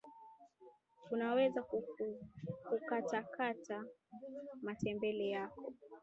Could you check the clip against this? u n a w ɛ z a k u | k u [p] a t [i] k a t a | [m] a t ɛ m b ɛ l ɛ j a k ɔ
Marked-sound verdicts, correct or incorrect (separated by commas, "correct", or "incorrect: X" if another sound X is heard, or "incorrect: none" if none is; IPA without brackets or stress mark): incorrect: k, incorrect: a, correct